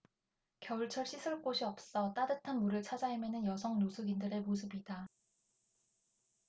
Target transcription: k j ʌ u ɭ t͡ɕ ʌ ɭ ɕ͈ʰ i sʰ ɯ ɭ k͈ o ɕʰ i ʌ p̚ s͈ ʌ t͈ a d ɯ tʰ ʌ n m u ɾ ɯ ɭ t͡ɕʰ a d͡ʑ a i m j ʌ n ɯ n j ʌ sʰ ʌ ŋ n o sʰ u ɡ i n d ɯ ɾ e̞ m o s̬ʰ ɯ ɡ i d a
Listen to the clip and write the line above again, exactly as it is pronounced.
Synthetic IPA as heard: k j ʌ u ɭ t͡ɕʰ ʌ ɭ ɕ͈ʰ i sʰ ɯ ɭ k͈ o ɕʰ i ʌ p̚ s͈ ʌ t͈ a d ɯ tʰ a n m u ɾ ɯ ɭ t͡ɕʰ a d͡ʑ a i m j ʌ n ɯ n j ʌ sʰ ʌ ŋ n o sʰ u ɡ i n d ɯ ɾ e̞ m o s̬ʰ ɯ b i d a